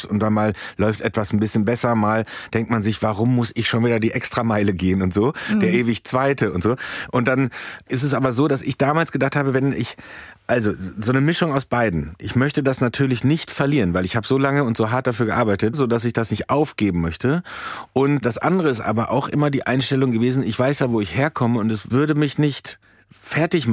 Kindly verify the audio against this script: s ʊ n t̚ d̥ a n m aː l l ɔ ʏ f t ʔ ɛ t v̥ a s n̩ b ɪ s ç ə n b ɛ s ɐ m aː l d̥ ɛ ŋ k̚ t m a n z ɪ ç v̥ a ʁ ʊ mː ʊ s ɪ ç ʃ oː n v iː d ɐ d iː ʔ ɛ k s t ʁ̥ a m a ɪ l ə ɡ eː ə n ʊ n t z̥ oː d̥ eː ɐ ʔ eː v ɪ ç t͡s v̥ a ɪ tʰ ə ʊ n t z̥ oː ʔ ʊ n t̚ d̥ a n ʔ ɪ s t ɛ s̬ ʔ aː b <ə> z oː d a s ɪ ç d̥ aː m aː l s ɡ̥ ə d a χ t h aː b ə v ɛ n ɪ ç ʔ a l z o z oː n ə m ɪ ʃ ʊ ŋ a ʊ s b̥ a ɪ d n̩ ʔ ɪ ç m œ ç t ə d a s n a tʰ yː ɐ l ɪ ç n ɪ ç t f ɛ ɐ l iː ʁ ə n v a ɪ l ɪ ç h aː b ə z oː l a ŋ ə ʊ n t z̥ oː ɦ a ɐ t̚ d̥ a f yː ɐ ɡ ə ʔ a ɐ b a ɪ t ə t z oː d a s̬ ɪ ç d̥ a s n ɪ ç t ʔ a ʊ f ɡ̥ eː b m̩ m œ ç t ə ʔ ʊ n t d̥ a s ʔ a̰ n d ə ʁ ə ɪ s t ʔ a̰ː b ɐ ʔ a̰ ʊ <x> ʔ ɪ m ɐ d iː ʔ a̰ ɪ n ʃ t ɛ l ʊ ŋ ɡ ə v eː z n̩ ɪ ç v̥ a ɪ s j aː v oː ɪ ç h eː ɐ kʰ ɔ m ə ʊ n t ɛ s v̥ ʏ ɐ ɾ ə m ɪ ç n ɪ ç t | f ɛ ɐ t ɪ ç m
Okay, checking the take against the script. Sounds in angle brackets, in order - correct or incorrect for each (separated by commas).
incorrect, correct